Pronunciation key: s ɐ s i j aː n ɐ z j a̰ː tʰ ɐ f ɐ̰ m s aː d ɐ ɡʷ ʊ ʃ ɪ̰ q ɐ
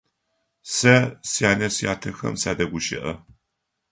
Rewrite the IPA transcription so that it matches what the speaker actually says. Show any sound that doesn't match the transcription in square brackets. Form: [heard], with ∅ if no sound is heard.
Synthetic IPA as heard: s ɐ s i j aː n ɐ [s] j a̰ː tʰ ɐ [x] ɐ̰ m s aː d ɐ ɡʷ ʊ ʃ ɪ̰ [ʔ] ɐ